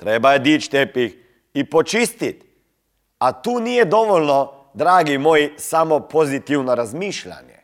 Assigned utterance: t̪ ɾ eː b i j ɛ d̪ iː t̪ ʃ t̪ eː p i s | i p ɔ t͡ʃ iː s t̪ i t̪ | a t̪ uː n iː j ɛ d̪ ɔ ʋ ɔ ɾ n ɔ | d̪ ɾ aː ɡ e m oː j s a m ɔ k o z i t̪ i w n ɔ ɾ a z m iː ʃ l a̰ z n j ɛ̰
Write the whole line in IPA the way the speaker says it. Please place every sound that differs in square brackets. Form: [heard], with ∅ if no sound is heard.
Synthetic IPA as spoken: t̪ ɾ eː b [a] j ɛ d̪ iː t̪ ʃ t̪ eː p i [x] | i p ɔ t͡ʃ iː s t̪ i t̪ | a t̪ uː n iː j ɛ d̪ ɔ ʋ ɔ [l] n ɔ | d̪ ɾ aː ɡ [i] m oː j s a m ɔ [p] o z i t̪ i w n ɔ ɾ a z m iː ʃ l a̰ [∅] n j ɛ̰